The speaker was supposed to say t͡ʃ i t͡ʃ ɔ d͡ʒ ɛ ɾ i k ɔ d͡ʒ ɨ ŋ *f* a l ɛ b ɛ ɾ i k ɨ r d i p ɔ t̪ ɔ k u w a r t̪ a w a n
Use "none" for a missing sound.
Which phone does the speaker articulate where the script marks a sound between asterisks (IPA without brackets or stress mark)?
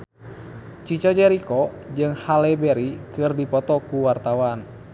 h